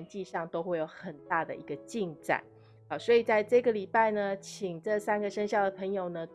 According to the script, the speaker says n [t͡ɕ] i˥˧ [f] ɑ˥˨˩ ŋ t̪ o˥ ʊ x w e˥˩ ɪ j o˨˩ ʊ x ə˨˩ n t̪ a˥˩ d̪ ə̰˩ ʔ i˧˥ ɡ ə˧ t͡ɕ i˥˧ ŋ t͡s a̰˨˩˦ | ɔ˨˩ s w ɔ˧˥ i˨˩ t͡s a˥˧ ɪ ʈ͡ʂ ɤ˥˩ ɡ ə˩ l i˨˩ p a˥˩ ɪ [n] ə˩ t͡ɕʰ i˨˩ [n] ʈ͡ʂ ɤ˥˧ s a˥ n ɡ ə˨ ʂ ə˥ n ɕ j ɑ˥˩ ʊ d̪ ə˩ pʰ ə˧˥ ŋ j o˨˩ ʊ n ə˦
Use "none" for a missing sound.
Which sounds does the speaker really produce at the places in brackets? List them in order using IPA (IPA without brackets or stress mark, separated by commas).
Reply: t͡ɕ, ʂ, n, ŋ